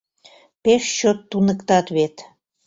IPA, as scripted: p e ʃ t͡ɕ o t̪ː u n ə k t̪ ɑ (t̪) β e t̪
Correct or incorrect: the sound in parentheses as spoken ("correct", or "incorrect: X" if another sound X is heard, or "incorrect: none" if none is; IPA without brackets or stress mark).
correct